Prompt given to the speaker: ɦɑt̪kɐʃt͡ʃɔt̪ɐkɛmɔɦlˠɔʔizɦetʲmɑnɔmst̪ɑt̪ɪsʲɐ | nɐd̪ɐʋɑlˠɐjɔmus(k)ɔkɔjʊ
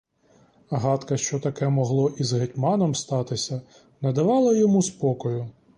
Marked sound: incorrect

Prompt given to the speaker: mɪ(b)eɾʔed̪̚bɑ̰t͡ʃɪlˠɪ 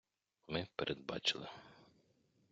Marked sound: incorrect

